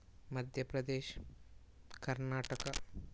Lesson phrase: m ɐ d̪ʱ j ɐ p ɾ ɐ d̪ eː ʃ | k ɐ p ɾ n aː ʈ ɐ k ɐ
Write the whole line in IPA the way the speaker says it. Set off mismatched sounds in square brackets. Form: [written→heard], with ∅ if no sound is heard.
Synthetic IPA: m ɐ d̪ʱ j ɐ p ɾ ɐ d̪ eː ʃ | k ɐ [p→∅] ɾ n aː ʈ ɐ k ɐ